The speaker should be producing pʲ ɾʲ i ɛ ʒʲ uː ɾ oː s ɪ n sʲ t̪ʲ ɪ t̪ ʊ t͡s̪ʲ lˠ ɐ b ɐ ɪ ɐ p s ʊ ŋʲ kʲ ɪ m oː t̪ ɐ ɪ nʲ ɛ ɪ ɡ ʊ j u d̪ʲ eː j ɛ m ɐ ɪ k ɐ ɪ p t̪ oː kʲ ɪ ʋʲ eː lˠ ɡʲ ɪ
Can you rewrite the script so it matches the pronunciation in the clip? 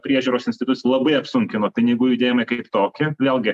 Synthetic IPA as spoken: pʲ ɾʲ i ɛ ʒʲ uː ɾ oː s ɪ n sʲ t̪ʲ ɪ t̪ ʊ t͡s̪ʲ lˠ ɐ b ɐ ɪ ɐ p s ʊ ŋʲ kʲ ɪ n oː t̪ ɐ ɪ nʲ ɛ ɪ ɡ ʊ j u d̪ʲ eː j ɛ m ɐ ɪ k ɐ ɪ p t̪ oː kʲ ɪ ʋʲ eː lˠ ɡʲ ɪ